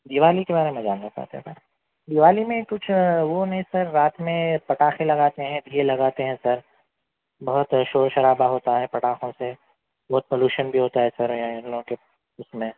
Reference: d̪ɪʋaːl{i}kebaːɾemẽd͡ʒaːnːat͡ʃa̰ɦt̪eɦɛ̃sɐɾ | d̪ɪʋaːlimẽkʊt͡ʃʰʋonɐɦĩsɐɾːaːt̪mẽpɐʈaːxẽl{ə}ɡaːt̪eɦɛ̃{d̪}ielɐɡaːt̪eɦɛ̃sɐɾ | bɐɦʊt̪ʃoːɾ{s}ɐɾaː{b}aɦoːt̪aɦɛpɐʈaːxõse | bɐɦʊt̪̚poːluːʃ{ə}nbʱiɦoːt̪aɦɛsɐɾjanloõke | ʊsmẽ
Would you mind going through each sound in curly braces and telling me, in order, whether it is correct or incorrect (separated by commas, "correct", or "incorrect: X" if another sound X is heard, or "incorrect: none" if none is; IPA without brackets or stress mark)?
correct, incorrect: ɐ, correct, incorrect: ʃ, correct, correct